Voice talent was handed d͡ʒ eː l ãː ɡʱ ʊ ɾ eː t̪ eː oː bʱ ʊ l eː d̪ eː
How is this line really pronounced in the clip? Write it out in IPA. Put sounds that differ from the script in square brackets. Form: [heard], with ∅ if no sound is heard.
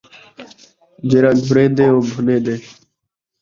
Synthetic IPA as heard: d͡ʒ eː [ɾ] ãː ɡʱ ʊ ɾ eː [d̪] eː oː bʱ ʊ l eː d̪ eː